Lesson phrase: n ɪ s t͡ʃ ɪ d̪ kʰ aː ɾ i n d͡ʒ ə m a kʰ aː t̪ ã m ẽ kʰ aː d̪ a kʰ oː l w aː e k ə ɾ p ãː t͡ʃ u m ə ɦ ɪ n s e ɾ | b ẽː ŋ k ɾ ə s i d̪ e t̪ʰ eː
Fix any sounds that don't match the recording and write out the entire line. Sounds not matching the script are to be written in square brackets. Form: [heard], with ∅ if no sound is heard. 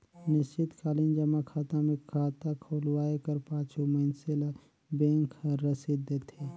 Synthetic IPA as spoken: n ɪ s t͡ʃ ɪ [t̪] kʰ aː [l] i n d͡ʒ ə m a kʰ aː t̪ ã m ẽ kʰ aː [t̪] a kʰ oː l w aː e k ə ɾ p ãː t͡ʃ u m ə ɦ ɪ n s e [l] | b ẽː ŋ k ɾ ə s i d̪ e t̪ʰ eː